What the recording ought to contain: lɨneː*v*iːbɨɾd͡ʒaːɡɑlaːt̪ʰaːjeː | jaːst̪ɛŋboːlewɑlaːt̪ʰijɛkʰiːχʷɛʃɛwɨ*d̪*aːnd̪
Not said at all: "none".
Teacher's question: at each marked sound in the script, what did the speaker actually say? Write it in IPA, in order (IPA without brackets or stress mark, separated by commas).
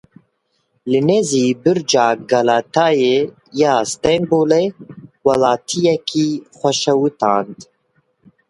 z, t̪